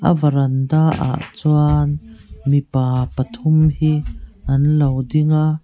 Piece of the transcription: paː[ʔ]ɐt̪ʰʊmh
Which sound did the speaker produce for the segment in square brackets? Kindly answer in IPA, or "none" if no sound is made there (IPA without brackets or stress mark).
p